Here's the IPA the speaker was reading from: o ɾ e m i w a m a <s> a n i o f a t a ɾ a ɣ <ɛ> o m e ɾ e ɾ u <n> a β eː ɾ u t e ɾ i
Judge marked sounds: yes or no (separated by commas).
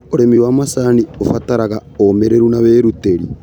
yes, no, yes